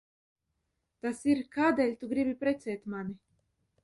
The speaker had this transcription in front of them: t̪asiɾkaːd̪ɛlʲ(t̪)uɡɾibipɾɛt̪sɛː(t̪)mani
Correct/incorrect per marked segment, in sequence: correct, correct

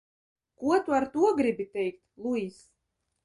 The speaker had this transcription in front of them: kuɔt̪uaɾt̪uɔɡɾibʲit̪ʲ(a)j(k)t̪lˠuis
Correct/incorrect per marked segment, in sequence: incorrect, correct

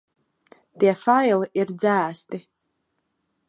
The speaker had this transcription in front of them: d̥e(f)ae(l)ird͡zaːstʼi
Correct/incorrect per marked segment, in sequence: correct, correct

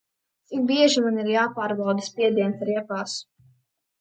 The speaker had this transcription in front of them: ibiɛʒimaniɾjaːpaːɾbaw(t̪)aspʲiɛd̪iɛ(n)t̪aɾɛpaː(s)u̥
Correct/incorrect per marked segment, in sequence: incorrect, correct, correct

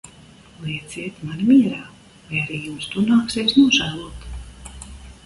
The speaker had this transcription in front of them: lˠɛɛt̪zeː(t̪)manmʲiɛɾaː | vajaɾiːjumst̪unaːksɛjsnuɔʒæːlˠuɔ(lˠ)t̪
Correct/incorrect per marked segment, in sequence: correct, incorrect

